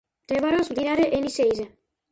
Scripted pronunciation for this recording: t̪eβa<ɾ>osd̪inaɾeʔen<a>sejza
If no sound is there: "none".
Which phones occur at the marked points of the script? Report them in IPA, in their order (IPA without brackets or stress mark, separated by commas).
ɾ, i